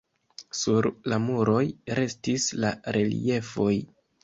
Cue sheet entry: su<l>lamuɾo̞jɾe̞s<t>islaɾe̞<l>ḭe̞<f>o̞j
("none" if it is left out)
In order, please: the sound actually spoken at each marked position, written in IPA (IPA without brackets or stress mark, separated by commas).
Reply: ɾ, t, l, f